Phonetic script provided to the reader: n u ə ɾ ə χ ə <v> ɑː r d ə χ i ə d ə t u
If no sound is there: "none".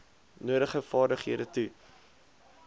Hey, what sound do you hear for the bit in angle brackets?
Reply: f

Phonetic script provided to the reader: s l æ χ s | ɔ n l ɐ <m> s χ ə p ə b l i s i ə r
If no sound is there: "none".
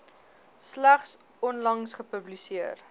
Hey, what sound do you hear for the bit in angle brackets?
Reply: ŋ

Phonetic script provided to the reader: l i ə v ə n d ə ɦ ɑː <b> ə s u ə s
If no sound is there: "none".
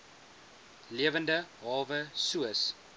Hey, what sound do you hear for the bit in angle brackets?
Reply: v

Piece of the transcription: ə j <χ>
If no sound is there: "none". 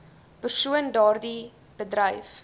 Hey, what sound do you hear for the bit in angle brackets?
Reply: f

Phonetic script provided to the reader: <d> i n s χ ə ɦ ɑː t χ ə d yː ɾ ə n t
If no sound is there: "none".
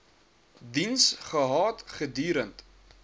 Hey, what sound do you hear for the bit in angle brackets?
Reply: d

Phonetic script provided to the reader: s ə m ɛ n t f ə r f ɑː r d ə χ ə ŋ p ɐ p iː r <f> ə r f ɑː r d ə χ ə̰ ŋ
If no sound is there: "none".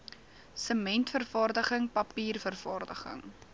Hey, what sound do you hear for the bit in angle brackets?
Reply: f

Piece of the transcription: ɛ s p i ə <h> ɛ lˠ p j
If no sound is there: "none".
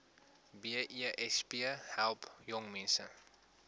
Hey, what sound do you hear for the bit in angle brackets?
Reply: h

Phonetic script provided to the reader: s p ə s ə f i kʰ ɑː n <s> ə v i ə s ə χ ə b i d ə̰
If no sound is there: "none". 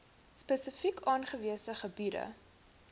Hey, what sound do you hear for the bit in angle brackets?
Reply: χ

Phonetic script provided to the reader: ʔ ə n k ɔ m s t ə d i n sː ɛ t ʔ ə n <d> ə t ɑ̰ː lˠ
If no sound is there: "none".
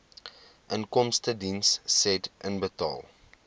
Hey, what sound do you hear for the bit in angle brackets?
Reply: b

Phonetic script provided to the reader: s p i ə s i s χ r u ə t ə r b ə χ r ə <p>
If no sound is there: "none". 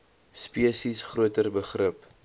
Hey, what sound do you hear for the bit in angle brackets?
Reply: p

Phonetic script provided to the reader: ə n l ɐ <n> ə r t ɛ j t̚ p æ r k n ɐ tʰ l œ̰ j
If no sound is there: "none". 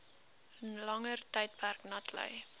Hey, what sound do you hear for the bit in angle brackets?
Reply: ŋ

